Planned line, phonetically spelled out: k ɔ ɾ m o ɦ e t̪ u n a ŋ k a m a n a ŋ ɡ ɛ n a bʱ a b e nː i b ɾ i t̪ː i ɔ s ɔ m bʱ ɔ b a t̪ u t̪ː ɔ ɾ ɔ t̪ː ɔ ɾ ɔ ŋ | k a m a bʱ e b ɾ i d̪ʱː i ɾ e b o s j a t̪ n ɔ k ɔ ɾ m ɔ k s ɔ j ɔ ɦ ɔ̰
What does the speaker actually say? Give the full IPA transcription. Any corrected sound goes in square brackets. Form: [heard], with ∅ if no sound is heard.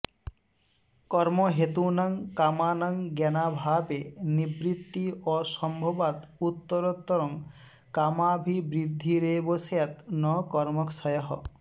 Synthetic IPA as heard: k ɔ ɾ m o ɦ e t̪ u n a ŋ k a m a n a ŋ ɡ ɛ n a bʱ a b e [n] i b ɾ i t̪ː i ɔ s ɔ m bʱ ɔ b a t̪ u t̪ː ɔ ɾ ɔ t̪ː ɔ ɾ ɔ ŋ | k a m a bʱ [i] b ɾ i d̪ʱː i ɾ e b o s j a t̪ n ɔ k ɔ ɾ m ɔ k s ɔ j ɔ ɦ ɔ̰